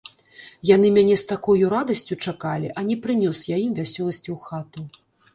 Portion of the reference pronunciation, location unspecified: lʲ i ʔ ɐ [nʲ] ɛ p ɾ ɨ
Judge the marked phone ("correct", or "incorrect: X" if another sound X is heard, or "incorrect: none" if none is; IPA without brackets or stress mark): correct